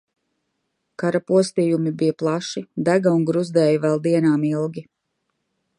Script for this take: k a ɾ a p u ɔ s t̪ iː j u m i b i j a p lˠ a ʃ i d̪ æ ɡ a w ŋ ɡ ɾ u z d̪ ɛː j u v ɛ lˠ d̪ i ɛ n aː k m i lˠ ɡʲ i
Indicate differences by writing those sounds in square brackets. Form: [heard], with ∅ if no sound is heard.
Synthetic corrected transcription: k a ɾ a p u ɔ s t̪ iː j u m i b i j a p lˠ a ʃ i d̪ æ ɡ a [u] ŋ ɡ ɾ u z d̪ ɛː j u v ɛ lˠ d̪ i ɛ n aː [∅] m i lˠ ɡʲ i